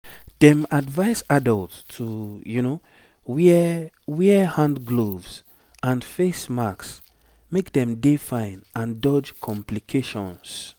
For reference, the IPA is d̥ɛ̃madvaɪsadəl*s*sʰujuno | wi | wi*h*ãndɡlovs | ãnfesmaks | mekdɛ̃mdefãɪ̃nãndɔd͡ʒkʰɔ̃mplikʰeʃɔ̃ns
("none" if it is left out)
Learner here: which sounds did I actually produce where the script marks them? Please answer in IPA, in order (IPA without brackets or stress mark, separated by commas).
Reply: t, h